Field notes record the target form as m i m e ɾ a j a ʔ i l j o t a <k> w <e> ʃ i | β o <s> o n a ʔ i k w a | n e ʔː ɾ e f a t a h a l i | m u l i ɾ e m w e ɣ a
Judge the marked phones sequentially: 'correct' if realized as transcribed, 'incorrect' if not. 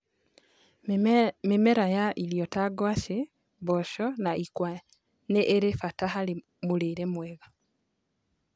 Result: incorrect, incorrect, incorrect

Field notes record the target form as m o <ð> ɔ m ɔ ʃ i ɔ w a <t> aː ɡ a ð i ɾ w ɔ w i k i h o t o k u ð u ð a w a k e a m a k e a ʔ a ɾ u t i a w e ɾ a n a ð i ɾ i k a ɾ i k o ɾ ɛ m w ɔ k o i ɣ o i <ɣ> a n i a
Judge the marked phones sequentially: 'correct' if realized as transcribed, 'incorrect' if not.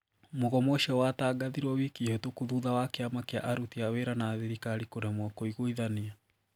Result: incorrect, correct, incorrect

